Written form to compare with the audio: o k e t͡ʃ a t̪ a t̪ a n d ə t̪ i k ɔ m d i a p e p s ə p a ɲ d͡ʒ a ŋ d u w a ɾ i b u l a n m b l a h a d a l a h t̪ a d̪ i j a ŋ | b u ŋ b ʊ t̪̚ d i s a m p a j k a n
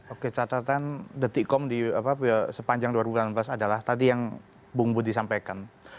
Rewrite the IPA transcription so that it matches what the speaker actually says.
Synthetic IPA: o k e t͡ʃ a t̪ a t̪ a n d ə t̪ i k ɔ m d i a p a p s ə p a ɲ d͡ʒ a ŋ d u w a ɾ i b u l a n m b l a s a d a l a h t̪ a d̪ i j a ŋ | b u ŋ b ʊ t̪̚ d i s a m p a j k a n